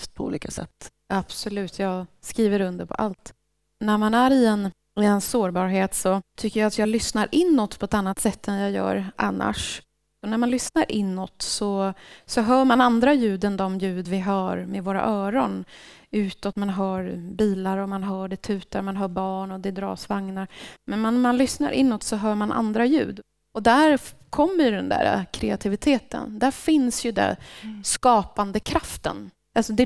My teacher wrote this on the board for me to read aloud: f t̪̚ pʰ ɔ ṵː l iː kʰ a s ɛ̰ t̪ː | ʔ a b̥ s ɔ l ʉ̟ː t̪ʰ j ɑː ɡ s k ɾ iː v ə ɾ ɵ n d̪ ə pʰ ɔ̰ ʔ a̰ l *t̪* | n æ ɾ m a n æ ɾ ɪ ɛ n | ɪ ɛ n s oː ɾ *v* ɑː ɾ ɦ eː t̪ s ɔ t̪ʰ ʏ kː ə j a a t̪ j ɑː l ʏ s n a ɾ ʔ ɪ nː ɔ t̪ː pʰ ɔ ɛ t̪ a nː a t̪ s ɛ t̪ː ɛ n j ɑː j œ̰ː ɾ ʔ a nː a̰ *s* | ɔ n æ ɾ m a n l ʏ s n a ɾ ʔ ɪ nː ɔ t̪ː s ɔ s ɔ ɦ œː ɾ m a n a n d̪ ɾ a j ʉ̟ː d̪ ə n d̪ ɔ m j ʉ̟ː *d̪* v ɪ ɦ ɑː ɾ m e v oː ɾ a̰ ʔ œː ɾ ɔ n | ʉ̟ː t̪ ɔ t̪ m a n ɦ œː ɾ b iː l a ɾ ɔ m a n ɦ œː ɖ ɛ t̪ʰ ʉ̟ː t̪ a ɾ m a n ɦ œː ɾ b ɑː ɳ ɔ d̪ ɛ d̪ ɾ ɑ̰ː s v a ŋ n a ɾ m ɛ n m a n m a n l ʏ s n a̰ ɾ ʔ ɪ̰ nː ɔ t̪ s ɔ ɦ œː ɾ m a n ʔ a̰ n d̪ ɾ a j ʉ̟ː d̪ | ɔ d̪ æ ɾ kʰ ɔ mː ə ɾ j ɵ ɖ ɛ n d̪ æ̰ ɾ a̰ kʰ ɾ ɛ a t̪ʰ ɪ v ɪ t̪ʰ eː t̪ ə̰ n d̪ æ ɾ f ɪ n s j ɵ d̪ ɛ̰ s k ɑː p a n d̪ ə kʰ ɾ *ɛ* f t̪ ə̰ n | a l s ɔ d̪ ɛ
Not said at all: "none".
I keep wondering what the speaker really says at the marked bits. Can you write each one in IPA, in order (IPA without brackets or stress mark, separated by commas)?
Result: t̪, b, ʂ, d̪, a